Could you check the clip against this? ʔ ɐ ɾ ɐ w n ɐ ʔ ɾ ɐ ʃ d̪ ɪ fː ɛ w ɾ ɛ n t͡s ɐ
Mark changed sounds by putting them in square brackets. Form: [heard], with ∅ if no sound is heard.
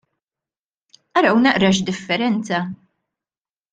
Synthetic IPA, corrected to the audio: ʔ ɐ ɾ ɐ w n ɐ ʔ ɾ ɐ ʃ d̪ ɪ fː ɛ [∅] ɾ ɛ n t͡s ɐ